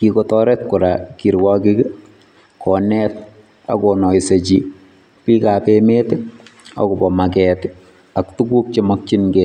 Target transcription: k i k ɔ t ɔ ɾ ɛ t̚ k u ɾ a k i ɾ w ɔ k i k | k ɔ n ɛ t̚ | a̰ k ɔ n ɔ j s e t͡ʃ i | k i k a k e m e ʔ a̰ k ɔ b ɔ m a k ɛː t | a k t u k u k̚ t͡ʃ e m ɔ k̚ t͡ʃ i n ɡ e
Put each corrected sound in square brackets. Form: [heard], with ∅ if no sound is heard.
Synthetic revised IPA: k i k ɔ t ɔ ɾ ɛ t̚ k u ɾ a k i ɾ w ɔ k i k | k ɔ n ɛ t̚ | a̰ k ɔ n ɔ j s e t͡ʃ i | [p] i k a [p] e m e [t] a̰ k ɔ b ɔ m a k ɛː t | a k t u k u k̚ t͡ʃ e m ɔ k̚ t͡ʃ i n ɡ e